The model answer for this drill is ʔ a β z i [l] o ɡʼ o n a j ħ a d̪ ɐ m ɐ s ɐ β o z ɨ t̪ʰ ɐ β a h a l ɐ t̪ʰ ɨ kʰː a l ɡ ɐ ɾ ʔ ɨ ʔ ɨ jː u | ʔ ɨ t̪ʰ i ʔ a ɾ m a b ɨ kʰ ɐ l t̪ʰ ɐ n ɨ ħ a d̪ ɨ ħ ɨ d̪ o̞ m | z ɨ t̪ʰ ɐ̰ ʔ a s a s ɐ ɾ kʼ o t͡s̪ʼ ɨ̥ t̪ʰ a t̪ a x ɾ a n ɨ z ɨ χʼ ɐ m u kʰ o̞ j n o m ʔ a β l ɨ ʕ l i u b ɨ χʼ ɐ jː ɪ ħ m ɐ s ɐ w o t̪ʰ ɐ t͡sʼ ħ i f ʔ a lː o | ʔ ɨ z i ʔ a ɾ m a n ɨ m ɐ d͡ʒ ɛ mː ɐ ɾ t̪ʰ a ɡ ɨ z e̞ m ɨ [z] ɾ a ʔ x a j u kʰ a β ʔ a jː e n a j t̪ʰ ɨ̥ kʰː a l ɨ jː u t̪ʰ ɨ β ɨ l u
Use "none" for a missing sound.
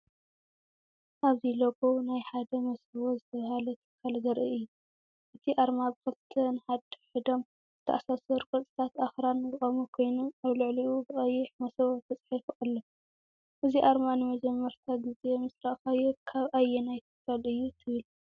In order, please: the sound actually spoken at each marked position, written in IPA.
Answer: l, s

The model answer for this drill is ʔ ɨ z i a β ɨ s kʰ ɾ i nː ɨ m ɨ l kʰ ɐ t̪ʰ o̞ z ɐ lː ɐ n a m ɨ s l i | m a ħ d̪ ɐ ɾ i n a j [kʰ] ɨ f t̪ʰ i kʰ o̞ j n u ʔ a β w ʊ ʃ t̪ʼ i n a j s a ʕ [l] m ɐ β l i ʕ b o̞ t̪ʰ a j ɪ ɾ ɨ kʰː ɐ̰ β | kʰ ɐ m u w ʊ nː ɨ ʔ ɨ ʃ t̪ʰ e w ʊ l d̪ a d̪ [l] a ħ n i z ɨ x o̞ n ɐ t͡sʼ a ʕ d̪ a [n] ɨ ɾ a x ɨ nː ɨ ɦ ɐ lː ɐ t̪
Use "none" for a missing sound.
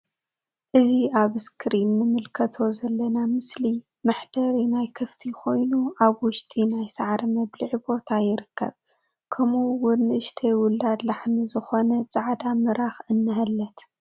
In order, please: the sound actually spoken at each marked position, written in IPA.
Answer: kʰ, ɾ, l, m

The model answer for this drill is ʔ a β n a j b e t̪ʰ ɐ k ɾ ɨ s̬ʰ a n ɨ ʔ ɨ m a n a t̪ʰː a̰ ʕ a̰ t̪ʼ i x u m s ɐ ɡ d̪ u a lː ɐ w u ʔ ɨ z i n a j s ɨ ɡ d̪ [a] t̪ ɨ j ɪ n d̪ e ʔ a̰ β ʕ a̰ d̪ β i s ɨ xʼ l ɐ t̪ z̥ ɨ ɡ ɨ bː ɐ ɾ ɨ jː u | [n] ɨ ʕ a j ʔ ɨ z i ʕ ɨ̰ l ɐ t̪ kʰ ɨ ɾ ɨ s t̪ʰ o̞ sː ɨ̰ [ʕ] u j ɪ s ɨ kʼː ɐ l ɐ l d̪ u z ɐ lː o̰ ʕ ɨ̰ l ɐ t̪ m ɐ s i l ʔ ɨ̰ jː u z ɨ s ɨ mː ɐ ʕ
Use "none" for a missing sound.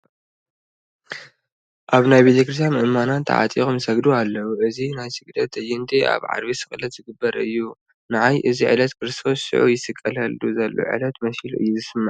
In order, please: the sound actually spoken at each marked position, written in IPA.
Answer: ɐ, n, ʕ

